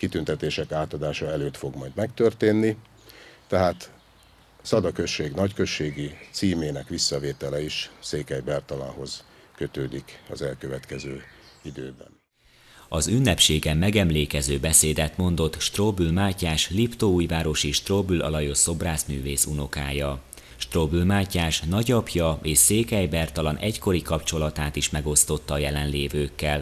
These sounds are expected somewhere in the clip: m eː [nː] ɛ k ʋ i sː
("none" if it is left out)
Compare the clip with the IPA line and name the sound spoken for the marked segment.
n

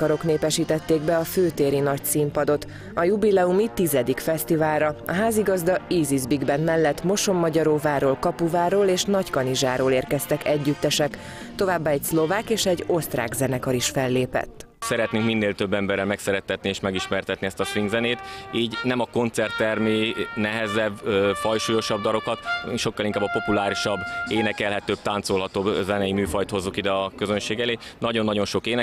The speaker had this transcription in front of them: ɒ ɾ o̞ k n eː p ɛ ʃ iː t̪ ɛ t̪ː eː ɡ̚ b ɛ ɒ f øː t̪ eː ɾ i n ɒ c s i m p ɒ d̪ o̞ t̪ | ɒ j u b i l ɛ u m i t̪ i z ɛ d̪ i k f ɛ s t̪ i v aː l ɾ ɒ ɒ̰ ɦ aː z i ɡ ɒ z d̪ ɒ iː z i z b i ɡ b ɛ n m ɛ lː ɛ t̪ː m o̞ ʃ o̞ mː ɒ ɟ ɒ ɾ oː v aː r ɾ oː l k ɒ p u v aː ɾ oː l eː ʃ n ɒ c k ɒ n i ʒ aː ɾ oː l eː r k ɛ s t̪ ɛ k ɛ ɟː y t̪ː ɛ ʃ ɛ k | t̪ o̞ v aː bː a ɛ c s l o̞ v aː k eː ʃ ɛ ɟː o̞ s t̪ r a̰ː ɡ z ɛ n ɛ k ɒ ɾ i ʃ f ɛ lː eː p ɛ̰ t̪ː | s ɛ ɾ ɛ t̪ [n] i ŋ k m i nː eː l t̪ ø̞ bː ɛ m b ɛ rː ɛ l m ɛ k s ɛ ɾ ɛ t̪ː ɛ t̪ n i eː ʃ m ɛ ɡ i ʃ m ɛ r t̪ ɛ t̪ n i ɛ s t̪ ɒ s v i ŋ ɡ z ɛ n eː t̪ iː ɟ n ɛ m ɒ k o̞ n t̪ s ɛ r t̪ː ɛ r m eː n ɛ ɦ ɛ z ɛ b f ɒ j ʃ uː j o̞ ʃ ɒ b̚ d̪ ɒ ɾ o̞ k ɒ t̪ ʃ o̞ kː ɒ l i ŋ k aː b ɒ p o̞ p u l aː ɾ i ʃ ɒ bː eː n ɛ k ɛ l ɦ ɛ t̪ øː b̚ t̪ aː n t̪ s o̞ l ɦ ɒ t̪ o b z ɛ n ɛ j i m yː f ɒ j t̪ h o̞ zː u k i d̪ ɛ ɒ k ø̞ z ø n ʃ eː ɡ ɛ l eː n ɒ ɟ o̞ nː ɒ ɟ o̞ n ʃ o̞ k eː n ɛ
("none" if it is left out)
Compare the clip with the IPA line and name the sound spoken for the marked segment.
n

